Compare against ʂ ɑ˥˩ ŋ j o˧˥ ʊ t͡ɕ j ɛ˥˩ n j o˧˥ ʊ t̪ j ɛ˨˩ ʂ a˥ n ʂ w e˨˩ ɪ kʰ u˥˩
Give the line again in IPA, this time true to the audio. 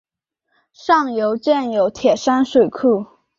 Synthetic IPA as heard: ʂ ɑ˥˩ ŋ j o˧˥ ʊ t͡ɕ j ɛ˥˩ n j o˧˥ ʊ t̪ʰ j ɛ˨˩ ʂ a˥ n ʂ w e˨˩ ɪ kʰ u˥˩